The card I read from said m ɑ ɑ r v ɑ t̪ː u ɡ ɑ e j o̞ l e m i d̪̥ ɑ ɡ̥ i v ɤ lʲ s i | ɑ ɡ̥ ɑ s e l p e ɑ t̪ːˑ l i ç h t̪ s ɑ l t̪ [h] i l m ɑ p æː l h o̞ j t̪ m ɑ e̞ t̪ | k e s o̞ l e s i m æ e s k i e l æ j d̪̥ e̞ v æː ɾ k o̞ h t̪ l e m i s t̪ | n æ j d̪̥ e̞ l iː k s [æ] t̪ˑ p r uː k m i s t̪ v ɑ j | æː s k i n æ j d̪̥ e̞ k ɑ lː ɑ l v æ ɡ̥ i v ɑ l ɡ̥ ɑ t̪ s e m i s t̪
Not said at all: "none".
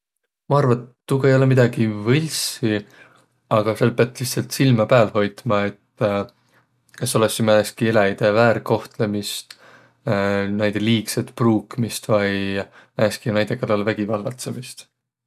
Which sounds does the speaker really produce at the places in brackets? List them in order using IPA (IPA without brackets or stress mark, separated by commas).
s, e